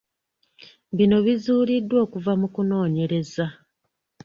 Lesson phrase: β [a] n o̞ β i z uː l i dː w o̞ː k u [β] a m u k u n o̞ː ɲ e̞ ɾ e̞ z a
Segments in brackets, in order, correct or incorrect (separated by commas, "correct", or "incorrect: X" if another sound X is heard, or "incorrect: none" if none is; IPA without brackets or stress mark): incorrect: i, incorrect: v